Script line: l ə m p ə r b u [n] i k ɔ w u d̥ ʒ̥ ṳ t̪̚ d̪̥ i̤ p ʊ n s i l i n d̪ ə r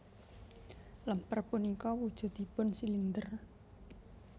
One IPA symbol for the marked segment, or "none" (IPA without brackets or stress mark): n